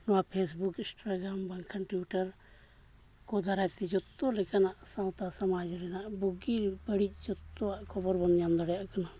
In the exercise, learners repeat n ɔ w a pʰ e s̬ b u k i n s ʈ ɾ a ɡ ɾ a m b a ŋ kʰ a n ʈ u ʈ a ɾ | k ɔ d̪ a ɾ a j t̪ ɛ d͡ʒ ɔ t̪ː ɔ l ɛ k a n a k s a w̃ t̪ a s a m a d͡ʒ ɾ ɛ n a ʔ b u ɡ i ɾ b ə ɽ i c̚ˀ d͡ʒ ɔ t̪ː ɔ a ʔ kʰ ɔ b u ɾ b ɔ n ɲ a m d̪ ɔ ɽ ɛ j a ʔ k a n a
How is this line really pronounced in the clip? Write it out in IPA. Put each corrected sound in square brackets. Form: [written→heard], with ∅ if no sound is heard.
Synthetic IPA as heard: n ɔ w a pʰ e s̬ b u k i n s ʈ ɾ a ɡ ɾ a m b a ŋ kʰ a n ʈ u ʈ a ɾ | k ɔ d̪ a ɾ a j t̪ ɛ d͡ʒ ɔ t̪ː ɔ l ɛ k a n a [k→ʔ] s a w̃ t̪ a s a m a d͡ʒ ɾ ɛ n a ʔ b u ɡ i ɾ b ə ɽ i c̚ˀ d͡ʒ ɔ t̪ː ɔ a ʔ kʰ ɔ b [u→ɔ] ɾ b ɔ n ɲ a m d̪ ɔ ɽ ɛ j a ʔ k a n a